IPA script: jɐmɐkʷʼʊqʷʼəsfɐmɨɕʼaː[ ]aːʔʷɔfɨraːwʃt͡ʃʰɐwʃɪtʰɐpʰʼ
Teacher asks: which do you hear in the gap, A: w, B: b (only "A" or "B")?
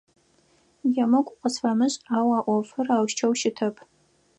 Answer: A